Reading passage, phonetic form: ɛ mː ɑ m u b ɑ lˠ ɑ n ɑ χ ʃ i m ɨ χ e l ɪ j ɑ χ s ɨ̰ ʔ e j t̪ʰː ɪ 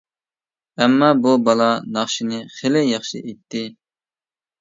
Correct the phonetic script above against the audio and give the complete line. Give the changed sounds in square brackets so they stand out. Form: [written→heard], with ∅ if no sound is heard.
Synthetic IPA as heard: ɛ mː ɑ [m→b] u b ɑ lˠ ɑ n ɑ χ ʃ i [m→n] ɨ χ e l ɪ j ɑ χ [s→ʃ] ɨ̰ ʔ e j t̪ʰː ɪ